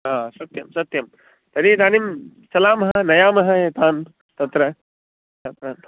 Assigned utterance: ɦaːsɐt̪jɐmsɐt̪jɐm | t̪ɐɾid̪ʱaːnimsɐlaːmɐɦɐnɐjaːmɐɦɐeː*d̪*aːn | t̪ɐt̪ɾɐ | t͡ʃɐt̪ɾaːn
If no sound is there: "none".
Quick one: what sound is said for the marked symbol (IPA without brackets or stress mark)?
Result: t̪